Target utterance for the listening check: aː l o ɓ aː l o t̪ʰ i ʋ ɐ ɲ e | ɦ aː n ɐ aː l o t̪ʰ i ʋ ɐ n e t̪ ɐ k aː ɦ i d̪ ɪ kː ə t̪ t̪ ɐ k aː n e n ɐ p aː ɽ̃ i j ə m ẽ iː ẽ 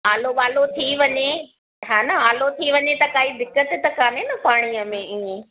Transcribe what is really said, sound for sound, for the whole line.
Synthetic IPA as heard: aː l o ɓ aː l o t̪ʰ i ʋ ɐ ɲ e | ɦ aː n ɐ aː l o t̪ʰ i ʋ ɐ ɲ e t̪ ɐ k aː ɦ i d̪ ɪ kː ə t̪ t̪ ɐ k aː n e n ɐ p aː ɽ̃ i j ə m ẽ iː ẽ